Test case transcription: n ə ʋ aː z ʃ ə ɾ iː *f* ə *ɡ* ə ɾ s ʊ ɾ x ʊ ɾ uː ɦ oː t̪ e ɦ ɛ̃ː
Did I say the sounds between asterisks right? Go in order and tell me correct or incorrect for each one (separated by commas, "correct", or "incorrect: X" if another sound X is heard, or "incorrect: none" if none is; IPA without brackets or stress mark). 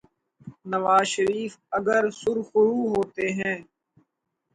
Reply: correct, correct